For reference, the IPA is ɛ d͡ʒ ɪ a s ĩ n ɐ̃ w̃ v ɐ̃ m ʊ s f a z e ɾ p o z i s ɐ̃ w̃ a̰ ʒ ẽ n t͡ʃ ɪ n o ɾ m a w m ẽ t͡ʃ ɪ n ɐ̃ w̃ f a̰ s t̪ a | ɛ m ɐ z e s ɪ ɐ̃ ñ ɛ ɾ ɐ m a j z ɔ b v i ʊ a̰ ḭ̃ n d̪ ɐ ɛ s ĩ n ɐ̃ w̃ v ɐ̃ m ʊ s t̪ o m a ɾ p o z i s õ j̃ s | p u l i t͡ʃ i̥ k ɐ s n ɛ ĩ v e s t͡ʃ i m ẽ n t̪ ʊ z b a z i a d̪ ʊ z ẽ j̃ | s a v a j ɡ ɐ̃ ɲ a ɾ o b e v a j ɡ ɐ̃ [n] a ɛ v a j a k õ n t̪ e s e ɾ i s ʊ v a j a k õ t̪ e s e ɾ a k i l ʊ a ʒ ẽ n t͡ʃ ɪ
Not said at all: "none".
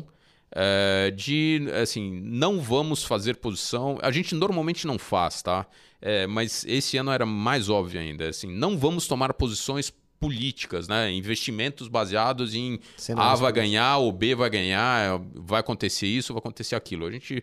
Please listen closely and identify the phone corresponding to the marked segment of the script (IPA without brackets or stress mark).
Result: ɲ